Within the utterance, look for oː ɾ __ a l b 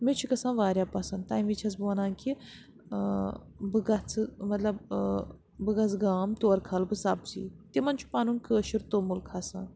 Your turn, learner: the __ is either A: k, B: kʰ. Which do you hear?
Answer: B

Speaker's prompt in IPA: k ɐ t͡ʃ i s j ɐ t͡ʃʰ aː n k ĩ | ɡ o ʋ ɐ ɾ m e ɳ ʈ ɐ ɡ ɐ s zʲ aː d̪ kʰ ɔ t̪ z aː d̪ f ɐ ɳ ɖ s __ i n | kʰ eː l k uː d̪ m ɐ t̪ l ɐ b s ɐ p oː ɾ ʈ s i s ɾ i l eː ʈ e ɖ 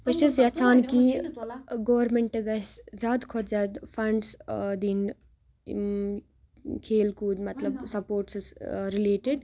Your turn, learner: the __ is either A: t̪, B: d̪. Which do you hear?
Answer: B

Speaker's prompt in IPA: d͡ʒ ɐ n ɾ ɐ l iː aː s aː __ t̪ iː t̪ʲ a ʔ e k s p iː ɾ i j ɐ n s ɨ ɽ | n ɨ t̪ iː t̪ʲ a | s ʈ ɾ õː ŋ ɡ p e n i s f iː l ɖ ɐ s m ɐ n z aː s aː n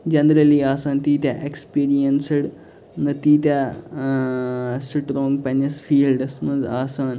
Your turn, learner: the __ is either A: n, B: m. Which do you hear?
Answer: A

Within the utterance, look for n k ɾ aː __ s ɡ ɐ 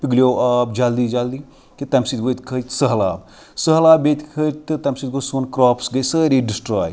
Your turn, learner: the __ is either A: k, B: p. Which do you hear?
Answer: B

